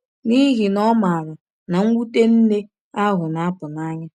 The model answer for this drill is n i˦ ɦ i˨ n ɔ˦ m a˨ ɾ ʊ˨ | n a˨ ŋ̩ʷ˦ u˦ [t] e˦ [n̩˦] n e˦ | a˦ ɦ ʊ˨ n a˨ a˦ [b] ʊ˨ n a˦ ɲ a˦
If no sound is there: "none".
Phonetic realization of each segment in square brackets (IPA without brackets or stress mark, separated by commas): t, n̩˦, p